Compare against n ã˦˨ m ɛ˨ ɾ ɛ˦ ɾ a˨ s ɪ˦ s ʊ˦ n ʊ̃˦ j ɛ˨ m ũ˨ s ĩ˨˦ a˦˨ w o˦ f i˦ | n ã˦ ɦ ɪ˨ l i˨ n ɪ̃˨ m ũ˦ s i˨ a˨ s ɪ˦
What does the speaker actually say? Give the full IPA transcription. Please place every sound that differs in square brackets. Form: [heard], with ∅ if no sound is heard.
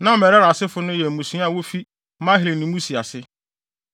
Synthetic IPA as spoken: n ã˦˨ m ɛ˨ ɾ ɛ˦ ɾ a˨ s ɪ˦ [f] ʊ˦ n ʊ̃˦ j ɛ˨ m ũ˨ s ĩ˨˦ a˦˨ w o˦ f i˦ | [m] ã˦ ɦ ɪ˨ l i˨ n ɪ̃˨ m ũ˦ s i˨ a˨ s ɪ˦